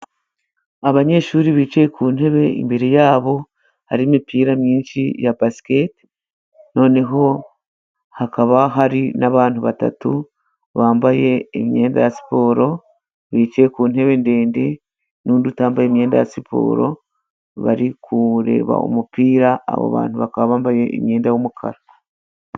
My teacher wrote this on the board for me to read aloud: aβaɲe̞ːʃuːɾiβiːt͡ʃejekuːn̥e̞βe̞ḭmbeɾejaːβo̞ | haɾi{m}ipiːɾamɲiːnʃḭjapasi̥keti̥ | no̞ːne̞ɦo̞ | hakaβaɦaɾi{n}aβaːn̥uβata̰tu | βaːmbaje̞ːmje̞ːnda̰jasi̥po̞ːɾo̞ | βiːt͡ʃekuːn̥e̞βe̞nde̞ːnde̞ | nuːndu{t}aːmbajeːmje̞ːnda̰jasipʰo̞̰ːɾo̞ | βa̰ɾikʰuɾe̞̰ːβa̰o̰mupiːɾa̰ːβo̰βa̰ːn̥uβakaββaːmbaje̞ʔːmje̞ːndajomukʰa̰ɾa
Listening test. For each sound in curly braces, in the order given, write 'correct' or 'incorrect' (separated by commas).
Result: correct, correct, correct